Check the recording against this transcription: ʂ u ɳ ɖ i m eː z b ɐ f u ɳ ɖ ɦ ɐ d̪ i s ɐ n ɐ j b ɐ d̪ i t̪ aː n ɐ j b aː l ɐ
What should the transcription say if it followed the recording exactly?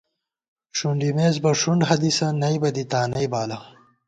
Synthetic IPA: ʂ u ɳ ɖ i m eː z b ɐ ʂ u ɳ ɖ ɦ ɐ d̪ i s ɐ n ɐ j b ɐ d̪ i t̪ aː n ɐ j b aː l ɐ